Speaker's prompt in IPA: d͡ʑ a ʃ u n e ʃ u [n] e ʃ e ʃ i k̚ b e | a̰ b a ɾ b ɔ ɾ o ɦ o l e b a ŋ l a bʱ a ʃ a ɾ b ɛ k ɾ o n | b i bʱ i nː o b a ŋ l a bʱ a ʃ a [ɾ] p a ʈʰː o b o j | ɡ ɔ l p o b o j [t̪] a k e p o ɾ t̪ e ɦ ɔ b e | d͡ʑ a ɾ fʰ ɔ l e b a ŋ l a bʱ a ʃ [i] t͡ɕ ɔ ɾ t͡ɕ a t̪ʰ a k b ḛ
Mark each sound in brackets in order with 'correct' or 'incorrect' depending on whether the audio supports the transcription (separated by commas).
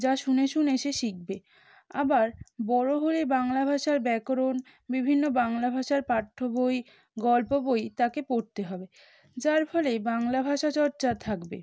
correct, correct, correct, incorrect